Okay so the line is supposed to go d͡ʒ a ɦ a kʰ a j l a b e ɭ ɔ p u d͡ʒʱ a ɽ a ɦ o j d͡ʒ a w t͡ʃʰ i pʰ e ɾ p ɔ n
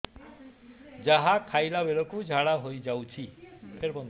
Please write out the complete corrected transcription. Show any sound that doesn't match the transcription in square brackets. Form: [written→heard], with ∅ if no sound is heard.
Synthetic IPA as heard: d͡ʒ a ɦ a kʰ a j l a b e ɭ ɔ [p→k] u d͡ʒʱ a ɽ a ɦ o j d͡ʒ a w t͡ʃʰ i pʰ e ɾ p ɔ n